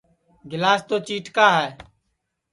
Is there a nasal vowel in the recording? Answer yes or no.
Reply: no